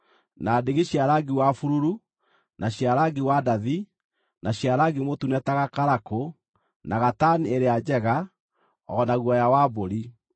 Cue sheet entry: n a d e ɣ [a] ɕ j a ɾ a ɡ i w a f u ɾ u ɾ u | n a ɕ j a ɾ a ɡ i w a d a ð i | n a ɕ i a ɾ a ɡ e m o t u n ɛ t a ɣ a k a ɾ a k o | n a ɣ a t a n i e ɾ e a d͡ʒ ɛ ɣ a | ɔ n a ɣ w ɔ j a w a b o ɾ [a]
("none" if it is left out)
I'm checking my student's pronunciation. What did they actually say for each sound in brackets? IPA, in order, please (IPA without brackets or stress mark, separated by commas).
e, i